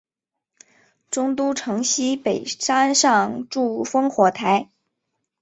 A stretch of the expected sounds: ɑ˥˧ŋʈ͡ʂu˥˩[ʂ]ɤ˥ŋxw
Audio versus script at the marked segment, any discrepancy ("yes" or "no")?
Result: yes